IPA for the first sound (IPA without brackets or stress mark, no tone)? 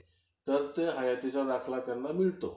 t̪